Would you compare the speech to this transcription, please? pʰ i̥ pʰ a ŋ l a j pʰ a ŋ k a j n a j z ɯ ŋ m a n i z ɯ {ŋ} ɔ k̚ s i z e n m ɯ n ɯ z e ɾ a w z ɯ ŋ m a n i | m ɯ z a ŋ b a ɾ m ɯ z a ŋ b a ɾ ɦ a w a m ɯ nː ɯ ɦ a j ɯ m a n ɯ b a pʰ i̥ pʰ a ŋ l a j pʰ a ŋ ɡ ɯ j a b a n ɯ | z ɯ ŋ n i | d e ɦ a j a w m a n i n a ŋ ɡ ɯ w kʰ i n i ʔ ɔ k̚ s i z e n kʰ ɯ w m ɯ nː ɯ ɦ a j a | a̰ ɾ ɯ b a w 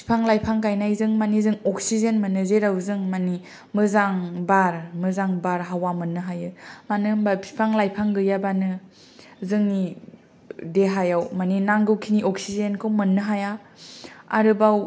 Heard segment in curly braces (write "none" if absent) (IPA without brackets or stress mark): ŋ